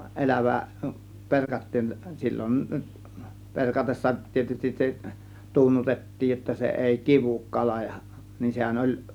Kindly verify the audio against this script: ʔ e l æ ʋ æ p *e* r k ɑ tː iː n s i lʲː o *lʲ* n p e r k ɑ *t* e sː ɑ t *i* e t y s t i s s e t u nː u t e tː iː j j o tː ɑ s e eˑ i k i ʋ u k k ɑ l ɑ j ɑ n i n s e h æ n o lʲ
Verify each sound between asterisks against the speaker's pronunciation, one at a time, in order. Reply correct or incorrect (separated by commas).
correct, incorrect, correct, correct